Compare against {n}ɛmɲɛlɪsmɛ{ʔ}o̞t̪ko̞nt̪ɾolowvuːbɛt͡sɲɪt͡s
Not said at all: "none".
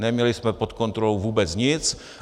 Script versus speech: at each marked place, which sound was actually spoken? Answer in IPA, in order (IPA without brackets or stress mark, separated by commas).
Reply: n, p